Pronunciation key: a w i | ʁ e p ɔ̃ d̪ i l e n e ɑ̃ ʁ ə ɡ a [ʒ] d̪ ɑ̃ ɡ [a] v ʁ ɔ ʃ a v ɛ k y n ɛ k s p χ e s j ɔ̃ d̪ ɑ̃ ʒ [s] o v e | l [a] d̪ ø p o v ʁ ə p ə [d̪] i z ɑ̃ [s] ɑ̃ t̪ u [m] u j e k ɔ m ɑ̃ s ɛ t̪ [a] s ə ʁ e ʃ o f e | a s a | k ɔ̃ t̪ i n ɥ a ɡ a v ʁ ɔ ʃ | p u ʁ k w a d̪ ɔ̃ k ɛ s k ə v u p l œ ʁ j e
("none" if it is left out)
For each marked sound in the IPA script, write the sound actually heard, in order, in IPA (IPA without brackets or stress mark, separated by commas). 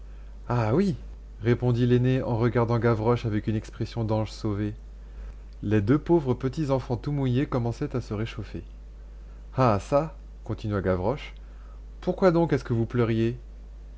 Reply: ʁ, a, s, e, t̪, f, m, a